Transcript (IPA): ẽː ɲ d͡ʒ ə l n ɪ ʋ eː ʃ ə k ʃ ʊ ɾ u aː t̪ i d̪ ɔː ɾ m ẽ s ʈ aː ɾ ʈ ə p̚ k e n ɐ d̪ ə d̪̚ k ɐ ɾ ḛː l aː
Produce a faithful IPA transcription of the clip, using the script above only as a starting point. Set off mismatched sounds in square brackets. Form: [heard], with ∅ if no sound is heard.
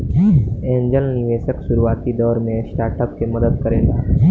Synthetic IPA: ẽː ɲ d͡ʒ ə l n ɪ ʋ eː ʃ ə k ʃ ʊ ɾ u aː t̪ i d̪ ɔː ɾ m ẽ s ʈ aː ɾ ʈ ə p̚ k e [m] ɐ d̪ ə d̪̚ k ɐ ɾ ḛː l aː